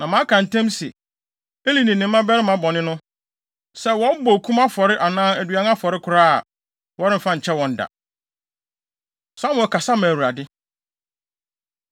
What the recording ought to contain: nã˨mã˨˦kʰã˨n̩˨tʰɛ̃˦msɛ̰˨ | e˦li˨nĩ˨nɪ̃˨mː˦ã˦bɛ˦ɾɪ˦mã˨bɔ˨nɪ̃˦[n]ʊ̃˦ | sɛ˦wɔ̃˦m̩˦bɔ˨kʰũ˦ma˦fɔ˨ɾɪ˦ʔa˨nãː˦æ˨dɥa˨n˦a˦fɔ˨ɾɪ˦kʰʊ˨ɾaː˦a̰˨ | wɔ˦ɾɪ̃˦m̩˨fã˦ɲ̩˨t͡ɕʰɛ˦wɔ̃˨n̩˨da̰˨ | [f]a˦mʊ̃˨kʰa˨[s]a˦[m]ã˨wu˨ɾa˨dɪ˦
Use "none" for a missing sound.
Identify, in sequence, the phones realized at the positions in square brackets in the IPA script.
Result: n, s, s, m

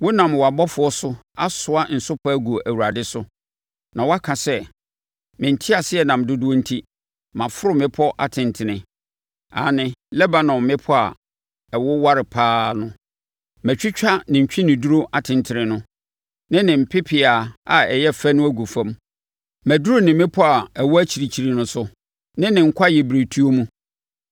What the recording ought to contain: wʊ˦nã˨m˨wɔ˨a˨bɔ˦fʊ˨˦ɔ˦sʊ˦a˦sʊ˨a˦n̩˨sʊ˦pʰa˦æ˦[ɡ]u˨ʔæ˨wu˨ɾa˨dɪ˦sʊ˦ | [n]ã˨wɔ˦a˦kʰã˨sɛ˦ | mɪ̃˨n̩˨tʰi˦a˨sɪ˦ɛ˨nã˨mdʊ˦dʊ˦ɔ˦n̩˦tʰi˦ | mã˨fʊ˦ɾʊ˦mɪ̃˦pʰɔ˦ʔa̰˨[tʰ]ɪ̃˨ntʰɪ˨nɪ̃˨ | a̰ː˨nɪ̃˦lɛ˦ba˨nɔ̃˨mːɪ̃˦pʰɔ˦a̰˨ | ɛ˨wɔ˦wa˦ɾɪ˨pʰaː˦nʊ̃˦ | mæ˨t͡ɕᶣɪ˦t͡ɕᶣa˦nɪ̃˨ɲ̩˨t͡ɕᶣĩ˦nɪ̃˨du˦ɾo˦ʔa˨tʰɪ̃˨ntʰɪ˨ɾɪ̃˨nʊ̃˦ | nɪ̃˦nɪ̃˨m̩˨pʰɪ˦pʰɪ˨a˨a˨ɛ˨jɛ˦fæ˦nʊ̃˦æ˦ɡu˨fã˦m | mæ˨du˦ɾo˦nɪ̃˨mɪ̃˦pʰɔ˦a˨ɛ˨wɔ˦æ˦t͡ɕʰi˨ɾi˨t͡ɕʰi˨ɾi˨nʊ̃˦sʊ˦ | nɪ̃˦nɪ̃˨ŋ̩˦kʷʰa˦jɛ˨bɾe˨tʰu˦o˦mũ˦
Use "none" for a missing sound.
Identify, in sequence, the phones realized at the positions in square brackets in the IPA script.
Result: ɡ, n, tʰ

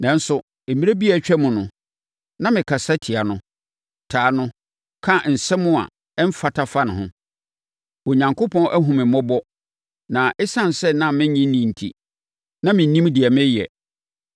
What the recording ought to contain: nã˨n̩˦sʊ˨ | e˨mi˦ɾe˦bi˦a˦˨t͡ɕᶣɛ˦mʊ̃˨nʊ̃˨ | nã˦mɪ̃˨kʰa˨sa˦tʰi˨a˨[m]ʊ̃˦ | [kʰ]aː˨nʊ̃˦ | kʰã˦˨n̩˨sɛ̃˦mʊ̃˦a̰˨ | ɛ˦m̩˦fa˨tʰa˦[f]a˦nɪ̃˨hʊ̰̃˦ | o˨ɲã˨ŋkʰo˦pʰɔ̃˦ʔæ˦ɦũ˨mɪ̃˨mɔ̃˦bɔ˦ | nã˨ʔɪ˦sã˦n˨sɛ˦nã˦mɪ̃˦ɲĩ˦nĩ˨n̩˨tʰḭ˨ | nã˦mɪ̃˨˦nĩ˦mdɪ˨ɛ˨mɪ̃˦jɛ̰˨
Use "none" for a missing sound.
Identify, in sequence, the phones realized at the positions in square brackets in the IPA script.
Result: n, tʰ, f

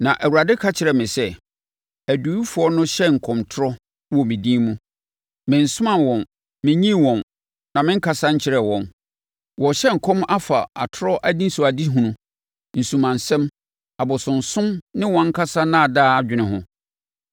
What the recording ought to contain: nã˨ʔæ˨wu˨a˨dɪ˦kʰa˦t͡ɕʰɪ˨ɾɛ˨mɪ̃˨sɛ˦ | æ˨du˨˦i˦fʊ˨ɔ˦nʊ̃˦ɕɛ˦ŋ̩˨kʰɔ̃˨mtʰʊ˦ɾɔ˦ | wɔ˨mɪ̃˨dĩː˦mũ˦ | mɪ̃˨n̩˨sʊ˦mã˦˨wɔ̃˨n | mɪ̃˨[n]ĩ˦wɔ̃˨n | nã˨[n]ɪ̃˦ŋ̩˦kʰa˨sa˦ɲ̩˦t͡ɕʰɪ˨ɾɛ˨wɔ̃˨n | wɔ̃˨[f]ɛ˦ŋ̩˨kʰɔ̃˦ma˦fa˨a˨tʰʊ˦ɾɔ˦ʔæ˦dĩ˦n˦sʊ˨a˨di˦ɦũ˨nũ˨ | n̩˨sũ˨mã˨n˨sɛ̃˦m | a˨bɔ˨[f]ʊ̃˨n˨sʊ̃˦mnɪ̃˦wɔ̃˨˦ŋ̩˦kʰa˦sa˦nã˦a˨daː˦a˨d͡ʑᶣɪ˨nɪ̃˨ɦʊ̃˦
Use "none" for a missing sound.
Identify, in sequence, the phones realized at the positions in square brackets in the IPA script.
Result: ɲ, m, ɕ, s

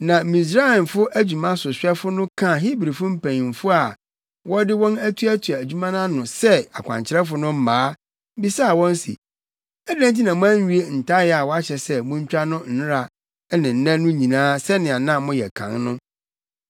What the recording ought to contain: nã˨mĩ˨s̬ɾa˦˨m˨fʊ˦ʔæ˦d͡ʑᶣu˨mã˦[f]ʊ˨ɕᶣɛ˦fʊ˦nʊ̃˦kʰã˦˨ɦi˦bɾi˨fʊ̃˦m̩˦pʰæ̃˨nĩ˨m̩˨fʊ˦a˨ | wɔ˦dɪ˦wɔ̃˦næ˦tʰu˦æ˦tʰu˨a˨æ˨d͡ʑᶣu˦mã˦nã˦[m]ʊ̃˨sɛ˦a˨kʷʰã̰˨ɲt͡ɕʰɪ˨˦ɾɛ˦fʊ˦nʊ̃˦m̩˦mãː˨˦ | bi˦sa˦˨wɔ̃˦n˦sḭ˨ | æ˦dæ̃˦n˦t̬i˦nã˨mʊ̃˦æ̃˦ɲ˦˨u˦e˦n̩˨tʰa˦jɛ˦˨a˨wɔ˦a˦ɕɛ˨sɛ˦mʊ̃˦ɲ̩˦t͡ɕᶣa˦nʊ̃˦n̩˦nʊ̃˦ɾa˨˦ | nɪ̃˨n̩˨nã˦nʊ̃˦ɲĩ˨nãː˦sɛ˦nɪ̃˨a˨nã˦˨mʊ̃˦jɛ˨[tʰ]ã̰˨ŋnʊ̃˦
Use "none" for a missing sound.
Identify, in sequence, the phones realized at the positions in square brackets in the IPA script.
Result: s, n, kʰ

